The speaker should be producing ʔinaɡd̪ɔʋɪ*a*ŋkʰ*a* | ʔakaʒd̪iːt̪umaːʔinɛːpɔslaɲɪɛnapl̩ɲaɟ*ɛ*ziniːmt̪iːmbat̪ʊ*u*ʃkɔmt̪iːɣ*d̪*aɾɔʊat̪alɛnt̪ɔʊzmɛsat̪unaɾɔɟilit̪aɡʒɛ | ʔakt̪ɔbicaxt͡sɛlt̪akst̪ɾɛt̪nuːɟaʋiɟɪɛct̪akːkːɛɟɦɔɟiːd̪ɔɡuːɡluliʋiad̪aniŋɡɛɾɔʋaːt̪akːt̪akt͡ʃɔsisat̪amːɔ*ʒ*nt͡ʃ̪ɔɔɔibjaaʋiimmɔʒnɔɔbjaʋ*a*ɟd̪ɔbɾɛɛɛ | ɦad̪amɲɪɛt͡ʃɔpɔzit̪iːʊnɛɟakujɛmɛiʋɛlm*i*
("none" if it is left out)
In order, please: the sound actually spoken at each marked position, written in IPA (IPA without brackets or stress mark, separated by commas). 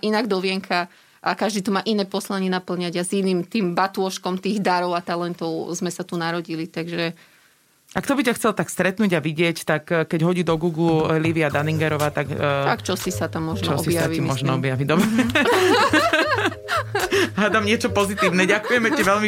ɛ, a, a, ɔ, d̪, ʒ, i, i